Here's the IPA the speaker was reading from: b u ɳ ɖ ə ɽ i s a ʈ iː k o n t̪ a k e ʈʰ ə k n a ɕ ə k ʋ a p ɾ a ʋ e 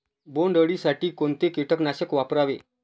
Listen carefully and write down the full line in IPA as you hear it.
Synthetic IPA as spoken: b o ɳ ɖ ə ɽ i s a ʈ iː k o n t̪ e k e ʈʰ ə k n a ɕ ə k ʋ a p ɾ a ʋ e